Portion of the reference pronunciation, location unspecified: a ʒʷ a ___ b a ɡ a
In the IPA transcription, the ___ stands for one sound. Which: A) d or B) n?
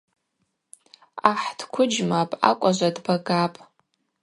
A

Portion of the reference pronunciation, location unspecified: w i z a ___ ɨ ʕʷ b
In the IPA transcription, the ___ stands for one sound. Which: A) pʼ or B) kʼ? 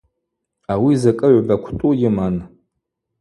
B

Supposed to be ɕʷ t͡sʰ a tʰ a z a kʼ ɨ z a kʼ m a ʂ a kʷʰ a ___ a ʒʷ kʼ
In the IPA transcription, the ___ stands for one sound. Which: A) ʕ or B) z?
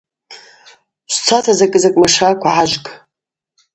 A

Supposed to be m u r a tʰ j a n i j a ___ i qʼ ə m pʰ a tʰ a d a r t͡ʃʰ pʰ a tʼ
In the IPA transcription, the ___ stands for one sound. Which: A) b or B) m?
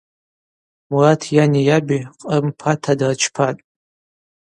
A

